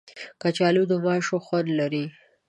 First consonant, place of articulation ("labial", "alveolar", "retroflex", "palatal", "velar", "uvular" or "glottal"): velar